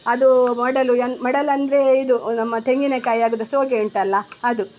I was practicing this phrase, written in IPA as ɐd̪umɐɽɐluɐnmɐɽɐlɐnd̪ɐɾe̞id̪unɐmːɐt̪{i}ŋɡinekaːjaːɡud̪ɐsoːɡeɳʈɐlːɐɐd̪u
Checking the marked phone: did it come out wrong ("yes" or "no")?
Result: yes